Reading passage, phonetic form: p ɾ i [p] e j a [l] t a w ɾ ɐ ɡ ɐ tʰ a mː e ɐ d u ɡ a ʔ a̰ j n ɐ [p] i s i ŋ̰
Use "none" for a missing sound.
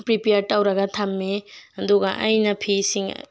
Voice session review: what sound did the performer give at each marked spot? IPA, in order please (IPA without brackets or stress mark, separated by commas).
p, ɾ, pʰ